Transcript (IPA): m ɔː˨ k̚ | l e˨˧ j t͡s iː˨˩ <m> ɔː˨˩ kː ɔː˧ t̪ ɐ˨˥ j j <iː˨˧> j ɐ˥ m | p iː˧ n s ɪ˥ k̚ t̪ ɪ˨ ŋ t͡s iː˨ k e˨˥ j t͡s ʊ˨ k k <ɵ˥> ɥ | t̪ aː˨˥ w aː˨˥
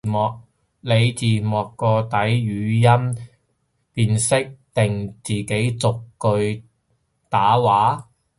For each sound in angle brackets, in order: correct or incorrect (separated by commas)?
correct, incorrect, incorrect